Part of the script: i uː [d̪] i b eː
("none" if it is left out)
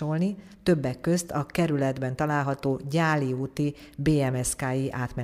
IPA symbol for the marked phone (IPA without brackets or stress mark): t̪